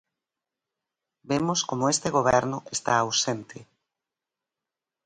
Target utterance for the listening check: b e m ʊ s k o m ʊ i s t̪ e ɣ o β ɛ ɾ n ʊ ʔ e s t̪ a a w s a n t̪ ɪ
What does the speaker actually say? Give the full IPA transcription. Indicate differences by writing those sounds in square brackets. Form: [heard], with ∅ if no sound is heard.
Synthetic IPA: b e m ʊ s k o m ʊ [e] s t̪ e ɣ o β ɛ ɾ n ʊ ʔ e s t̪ a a w s [e] n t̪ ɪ